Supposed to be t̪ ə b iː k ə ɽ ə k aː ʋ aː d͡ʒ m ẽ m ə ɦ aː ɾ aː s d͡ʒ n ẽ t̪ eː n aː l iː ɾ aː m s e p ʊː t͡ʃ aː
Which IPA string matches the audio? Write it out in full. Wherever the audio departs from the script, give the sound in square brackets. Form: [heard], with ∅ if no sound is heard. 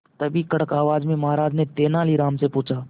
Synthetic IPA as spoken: t̪ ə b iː k ə ɽ ə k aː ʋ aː d͡ʒ m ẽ m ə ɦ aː ɾ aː [∅] d͡ʒ n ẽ t̪ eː n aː l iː ɾ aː m s e p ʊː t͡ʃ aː